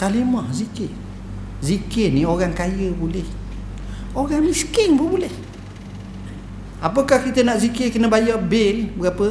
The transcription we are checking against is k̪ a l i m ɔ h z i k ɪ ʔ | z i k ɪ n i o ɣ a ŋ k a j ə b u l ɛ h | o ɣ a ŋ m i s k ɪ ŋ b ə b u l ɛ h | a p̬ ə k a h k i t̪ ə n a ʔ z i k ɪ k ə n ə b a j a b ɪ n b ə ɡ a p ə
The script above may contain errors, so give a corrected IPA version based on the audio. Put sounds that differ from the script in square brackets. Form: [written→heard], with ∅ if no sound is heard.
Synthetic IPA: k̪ a l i m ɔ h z i k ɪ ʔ | z i k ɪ n i o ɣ a ŋ k a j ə b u l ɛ h | o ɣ a ŋ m i s k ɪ ŋ b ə b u l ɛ h | a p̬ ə k a h k i t̪ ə n a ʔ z i k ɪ k ə n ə b a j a b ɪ n b ə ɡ a p ə